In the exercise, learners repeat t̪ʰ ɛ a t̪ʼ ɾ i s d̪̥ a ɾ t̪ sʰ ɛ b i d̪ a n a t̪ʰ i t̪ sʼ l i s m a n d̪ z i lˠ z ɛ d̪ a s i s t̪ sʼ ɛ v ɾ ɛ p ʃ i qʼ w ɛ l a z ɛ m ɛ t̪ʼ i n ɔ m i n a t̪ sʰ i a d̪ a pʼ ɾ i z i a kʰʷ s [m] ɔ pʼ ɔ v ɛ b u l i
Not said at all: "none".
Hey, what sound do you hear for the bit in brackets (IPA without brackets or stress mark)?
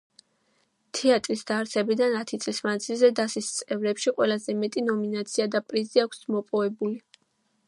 m